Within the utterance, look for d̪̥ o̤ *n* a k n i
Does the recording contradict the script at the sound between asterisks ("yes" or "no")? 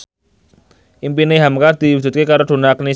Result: no